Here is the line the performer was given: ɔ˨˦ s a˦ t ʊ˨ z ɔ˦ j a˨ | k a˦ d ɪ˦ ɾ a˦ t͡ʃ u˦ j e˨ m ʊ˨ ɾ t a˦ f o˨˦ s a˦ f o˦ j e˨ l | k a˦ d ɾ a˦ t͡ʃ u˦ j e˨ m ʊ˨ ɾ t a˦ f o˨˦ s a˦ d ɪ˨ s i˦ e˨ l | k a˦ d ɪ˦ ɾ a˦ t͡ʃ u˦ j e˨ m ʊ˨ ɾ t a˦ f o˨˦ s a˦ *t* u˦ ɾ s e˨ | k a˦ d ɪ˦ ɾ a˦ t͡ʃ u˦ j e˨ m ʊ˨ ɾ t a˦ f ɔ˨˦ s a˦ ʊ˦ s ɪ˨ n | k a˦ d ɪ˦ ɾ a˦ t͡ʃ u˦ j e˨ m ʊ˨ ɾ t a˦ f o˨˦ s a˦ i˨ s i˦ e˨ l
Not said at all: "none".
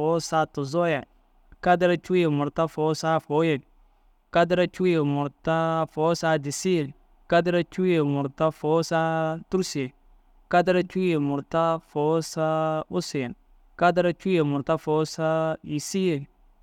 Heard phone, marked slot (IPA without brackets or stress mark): t